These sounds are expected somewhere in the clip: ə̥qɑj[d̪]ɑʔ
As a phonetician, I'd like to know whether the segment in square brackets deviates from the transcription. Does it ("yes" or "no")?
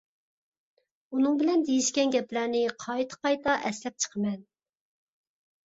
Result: yes